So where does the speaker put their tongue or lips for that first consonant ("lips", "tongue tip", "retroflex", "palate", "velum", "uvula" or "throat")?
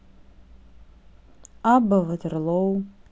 lips